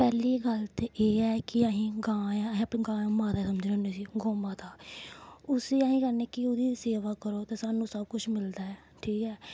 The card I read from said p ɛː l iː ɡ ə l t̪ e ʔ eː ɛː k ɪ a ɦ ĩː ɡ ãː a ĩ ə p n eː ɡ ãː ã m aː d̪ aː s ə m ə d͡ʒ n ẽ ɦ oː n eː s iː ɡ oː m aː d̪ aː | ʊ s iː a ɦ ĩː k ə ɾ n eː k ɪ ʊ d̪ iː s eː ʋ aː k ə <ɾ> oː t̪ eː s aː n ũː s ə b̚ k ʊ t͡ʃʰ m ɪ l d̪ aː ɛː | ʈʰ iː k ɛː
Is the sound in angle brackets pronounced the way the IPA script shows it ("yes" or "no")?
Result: yes